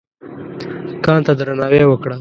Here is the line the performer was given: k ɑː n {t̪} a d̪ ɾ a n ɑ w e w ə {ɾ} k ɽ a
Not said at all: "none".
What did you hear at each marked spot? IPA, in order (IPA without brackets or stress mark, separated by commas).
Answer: t̪, none